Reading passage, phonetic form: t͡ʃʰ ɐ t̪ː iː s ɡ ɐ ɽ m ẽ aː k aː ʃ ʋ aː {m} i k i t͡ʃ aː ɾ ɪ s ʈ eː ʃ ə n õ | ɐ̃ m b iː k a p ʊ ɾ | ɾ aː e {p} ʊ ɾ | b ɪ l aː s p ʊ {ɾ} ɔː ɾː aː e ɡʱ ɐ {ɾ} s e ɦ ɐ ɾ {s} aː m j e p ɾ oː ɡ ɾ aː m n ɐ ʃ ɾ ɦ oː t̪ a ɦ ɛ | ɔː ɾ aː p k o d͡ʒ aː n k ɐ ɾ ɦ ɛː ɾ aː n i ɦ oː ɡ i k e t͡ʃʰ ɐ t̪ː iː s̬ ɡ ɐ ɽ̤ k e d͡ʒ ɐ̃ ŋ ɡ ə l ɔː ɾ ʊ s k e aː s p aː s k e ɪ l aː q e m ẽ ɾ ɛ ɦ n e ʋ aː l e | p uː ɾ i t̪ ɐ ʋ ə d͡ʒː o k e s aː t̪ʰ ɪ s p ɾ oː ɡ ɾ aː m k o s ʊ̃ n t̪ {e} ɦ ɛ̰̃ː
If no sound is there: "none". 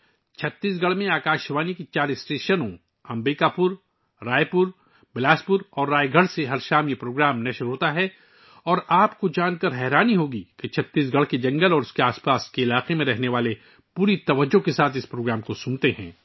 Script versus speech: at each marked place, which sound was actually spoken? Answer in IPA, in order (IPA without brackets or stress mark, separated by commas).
n, p, ɾ, ɽ, ʃ, e